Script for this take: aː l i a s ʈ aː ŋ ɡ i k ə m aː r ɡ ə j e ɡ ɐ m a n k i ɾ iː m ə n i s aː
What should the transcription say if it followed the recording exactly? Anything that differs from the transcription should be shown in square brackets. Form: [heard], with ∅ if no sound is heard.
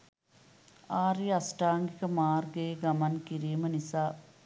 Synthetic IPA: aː [ɾ] i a s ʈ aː ŋ ɡ i k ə m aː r ɡ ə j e ɡ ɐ m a n k i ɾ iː m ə n i s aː